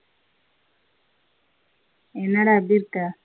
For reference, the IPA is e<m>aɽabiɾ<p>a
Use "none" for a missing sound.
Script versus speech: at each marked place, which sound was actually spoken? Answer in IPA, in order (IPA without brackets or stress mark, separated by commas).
n, k